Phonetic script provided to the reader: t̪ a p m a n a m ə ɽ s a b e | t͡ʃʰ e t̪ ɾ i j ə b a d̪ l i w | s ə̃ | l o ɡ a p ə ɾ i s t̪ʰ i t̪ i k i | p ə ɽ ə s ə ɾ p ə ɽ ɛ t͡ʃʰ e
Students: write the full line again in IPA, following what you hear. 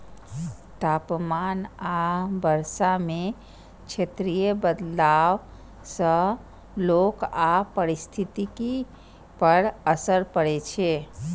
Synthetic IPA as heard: t̪ a p m a n a b ə ɾ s a m e | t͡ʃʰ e t̪ ɾ i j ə b ə d̪ l a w | s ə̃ | l o k a p ə ɾ i s t̪ʰ i t̪ i k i | p ə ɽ ə s ə ɾ p ə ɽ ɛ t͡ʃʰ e